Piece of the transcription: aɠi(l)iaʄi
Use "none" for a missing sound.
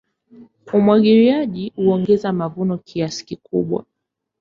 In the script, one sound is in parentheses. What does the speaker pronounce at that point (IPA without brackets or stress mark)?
ɾ